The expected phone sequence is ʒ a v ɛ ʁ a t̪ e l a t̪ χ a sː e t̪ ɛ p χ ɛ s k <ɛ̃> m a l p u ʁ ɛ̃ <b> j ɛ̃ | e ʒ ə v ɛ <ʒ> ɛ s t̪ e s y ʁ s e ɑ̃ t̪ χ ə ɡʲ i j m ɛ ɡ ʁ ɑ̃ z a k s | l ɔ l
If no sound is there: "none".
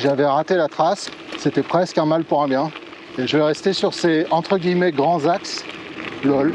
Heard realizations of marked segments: ɛ̃, b, ʁ

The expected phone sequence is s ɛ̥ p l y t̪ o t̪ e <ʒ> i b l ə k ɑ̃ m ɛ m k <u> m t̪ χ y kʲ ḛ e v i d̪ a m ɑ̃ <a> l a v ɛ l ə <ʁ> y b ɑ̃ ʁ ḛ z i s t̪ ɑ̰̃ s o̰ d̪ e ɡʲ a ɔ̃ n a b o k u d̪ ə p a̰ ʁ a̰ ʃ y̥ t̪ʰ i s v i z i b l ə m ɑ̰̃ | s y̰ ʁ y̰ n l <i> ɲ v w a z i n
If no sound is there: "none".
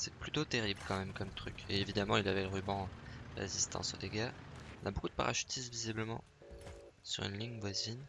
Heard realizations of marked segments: ʁ, ɔ, i, ʁ, i

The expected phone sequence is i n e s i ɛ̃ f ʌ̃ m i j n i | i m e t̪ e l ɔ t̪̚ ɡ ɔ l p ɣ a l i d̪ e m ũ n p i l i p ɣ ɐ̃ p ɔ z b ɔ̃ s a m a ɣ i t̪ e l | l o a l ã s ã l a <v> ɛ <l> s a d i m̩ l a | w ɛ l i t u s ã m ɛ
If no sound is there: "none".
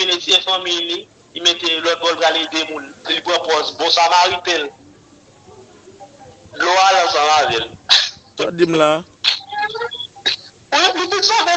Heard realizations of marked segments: v, l

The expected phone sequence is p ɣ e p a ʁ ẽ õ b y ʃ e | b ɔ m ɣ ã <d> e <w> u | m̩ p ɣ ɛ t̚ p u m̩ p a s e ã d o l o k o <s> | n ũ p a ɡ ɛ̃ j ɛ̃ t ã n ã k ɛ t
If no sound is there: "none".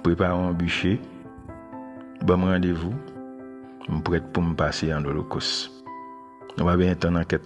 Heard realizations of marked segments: d, v, s

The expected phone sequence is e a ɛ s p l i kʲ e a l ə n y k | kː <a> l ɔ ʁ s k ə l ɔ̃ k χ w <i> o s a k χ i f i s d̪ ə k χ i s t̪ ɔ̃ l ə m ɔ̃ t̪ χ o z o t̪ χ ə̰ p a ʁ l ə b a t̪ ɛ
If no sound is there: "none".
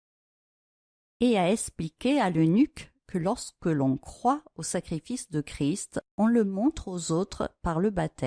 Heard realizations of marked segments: ə, a

